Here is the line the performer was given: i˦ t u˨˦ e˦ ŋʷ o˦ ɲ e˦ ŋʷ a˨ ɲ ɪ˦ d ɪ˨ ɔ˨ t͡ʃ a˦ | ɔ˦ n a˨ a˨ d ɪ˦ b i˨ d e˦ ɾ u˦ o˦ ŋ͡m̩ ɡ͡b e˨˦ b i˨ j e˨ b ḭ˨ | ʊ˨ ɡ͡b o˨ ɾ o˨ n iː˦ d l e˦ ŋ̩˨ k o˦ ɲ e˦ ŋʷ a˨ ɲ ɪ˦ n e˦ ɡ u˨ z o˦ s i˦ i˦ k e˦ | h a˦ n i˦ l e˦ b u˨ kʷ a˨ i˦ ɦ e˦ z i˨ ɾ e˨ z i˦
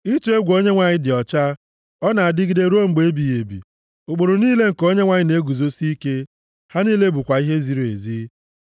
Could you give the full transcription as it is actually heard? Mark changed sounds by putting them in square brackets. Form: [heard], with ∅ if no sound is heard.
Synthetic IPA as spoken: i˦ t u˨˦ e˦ [ɡʷ] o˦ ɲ e˦ ŋʷ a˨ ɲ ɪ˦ d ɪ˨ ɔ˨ t͡ʃ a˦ | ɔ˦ n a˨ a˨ d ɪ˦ [ɡ] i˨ d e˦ ɾ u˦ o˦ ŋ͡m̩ ɡ͡b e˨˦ b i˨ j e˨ b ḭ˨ | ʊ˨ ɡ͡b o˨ ɾ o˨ n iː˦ [∅] l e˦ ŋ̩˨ k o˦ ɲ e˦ ŋʷ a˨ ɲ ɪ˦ n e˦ ɡ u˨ z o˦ s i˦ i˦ k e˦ | h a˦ n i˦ l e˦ b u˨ kʷ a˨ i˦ ɦ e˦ z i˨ ɾ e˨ z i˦